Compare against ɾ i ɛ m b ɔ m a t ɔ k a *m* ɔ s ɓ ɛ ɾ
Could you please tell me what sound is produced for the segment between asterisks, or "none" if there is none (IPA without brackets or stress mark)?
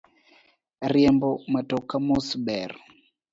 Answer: m